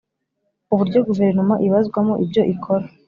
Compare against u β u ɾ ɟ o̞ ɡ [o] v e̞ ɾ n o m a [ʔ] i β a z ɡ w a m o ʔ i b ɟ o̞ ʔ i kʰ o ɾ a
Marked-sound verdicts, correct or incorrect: incorrect, correct

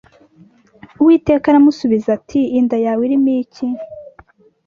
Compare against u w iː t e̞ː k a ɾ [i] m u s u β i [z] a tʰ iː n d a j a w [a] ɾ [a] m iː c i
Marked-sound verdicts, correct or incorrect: incorrect, correct, incorrect, incorrect

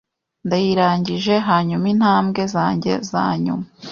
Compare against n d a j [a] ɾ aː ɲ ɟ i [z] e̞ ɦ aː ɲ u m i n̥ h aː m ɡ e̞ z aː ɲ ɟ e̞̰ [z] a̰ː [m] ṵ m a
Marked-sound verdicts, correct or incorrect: incorrect, incorrect, correct, incorrect

